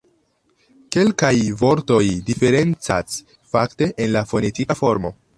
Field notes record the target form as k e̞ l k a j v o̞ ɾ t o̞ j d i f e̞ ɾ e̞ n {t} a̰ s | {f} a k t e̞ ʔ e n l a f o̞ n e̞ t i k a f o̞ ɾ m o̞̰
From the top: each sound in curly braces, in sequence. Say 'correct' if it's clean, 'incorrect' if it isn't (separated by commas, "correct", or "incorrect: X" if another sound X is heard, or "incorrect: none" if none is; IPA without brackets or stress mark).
incorrect: t͡s, correct